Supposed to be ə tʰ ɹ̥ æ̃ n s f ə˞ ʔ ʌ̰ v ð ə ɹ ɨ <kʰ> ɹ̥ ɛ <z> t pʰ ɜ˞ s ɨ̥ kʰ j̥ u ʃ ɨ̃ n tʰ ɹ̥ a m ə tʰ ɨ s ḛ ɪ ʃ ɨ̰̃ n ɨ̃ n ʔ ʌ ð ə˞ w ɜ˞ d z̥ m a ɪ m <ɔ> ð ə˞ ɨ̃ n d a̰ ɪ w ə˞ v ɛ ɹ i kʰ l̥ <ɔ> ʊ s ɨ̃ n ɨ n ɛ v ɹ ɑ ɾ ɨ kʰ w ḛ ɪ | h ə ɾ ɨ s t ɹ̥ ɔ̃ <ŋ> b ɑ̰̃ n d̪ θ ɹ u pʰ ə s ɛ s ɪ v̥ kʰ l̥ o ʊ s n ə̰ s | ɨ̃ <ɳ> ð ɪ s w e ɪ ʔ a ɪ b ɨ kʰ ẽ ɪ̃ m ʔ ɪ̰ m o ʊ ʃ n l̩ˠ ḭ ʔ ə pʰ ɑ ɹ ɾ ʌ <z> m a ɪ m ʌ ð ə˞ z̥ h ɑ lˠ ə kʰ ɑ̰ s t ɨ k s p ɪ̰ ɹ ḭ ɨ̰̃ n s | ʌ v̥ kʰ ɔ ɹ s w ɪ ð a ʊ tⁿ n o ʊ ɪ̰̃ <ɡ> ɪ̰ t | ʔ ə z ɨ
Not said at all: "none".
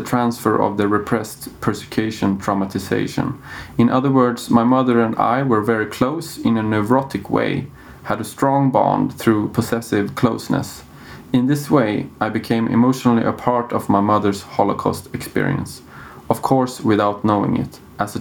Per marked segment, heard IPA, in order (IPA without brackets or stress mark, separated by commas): pʰ, s, ʌ, o, ŋ, n, v, ŋ